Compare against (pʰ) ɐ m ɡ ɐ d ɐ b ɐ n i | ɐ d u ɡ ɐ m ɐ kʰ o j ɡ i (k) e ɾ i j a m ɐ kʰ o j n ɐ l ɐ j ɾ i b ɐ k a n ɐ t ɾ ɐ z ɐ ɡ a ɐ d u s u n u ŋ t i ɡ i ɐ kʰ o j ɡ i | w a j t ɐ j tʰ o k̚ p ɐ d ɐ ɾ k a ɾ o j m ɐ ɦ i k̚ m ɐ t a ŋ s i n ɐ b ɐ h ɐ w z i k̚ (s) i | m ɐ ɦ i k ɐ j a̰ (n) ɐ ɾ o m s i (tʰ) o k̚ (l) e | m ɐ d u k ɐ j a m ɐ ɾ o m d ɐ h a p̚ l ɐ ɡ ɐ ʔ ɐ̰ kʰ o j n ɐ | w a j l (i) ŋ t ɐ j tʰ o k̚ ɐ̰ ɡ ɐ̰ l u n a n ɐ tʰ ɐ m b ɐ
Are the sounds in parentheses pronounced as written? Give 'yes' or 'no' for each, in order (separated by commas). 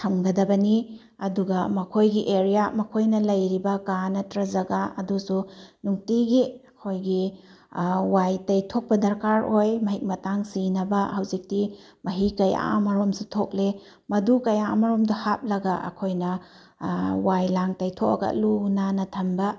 no, no, no, no, yes, yes, no